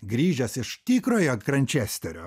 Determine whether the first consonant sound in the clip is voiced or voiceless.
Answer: voiced